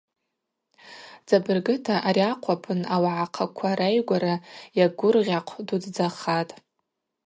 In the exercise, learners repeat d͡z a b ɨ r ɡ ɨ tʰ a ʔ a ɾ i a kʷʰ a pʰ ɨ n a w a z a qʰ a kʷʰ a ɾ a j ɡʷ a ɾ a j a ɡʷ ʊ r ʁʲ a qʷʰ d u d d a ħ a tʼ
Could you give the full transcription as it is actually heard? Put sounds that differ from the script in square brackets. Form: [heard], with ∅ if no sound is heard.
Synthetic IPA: d͡z a b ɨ r ɡ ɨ tʰ a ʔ a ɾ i a [qʷʰ] a pʰ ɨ n a w a [ʕ] a qʰ a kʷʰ a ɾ a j ɡʷ a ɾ a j a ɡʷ ʊ r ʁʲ a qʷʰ d u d [d͡z] a [χ] a tʼ